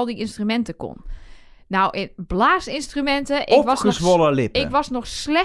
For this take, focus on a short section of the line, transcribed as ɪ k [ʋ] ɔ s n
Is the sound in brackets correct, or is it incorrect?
correct